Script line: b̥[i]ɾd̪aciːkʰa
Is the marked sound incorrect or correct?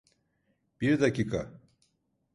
correct